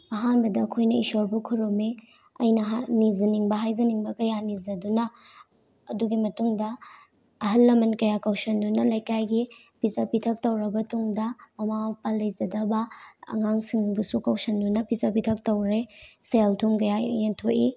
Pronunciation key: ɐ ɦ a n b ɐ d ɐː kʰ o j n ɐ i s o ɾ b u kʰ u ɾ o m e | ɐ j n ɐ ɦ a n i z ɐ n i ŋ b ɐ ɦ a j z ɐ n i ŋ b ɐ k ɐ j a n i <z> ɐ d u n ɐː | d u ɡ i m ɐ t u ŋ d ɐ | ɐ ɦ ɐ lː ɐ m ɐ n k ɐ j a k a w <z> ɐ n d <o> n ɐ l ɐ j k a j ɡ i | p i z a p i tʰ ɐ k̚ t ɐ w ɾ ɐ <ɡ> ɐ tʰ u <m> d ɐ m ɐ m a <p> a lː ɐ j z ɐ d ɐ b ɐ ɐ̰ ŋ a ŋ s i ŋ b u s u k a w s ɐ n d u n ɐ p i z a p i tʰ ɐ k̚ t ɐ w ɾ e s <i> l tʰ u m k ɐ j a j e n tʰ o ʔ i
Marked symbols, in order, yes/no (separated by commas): yes, no, no, no, no, yes, no